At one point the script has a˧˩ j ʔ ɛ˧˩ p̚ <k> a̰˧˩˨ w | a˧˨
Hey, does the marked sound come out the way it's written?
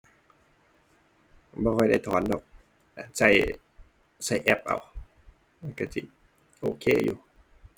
no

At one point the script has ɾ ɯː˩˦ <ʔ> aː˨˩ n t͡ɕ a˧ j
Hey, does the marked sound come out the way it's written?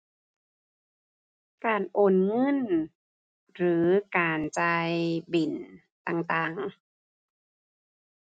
no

